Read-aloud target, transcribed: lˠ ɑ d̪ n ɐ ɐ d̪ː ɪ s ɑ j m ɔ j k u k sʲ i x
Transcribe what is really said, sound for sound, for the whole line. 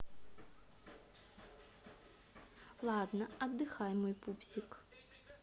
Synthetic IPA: lˠ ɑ d̪ n ɐ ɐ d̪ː ɪ x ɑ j m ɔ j p u p sʲ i k